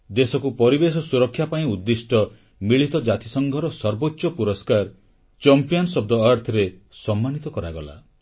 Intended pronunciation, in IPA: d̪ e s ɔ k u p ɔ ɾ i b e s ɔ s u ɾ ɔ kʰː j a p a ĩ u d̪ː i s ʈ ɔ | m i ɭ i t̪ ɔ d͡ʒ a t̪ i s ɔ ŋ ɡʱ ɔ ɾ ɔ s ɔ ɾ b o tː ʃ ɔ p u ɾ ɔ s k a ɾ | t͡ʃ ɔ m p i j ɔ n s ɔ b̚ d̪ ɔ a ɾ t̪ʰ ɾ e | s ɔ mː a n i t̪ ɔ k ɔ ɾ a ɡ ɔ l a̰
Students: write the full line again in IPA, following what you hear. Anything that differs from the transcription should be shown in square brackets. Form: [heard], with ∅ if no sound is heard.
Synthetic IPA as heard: d̪ e s ɔ k u p ɔ ɾ i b e s ɔ s u ɾ ɔ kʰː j a p a ĩ u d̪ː i s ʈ ɔ | m i ɭ i t̪ ɔ d͡ʒ a t̪ i s ɔ ŋ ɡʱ ɔ ɾ ɔ s ɔ ɾ b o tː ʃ ɔ p u ɾ ɔ s k a ɾ | t͡ʃ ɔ m p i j ɔ n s ɔ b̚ d̪ ɔ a ɾ t̪ʰ ɾ e | s ɔ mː a n i t̪ ɔ k ɔ ɾ a ɡ ɔ l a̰